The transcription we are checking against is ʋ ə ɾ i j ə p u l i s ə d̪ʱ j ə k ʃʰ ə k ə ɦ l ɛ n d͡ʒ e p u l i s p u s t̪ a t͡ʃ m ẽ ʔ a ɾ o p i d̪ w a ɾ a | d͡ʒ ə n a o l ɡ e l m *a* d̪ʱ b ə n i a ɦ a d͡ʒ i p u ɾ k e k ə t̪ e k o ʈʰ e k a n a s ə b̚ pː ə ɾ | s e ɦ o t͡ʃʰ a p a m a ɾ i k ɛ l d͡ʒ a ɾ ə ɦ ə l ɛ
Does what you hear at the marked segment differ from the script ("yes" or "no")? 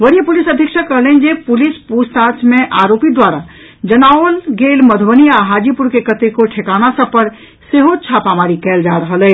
yes